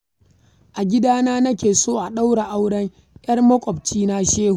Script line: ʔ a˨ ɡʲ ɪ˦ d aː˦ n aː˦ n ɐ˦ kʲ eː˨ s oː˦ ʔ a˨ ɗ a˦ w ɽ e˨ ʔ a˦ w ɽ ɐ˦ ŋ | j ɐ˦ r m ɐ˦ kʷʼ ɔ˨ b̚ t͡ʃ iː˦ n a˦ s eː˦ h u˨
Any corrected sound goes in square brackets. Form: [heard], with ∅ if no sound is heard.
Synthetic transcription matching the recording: ʔ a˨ ɡʲ ɪ˦ d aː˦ n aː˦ n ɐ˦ kʲ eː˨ s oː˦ ʔ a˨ ɗ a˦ w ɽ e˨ ʔ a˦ w ɽ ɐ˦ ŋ | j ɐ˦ r m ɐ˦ kʷʼ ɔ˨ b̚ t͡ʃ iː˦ n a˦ [ʃ] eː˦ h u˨